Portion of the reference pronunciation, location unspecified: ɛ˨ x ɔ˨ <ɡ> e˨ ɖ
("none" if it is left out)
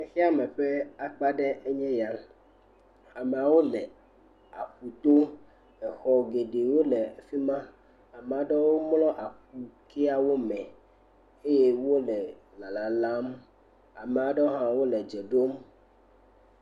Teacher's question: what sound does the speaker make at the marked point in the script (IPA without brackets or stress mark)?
ɡ